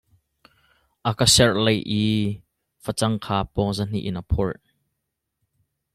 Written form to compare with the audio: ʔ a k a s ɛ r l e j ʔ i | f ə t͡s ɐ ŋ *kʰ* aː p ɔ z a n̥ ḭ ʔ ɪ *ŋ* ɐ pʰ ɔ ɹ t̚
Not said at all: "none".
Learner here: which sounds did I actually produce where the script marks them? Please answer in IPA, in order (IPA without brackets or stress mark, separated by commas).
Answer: kʰ, n